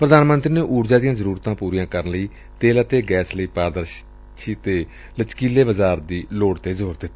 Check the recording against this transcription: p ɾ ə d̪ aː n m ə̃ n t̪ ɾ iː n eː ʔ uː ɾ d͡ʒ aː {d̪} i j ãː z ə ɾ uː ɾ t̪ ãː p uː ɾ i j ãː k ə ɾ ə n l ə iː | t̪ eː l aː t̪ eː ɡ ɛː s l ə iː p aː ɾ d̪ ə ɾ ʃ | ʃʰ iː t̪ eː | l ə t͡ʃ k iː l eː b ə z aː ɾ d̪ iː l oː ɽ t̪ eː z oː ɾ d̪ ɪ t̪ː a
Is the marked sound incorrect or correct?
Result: correct